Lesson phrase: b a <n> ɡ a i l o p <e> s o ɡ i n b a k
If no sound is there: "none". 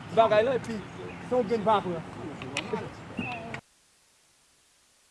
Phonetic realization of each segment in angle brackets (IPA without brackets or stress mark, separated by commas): none, i